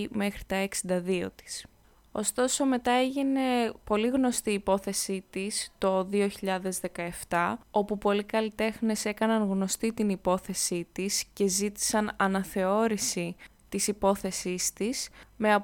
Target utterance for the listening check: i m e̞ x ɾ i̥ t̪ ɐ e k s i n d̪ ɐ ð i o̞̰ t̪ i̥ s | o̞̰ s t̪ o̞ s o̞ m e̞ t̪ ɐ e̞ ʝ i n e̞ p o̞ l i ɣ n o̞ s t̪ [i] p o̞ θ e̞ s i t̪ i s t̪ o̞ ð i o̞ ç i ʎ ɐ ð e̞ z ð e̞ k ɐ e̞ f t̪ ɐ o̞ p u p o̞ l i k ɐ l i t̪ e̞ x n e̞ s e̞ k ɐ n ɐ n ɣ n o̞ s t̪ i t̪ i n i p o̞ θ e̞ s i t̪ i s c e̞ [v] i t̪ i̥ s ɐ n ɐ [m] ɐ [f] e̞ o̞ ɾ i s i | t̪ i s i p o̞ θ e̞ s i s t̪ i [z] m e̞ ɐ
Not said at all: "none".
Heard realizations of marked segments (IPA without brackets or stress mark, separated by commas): iː, z, n, θ, s